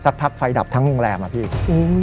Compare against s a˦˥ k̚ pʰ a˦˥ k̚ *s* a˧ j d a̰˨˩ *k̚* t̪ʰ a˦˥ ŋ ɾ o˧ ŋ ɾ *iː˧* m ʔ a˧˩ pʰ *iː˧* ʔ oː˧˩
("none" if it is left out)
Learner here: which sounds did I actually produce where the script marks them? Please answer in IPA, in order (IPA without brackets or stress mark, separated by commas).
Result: f, p̚, ɛː˧, iː˥˩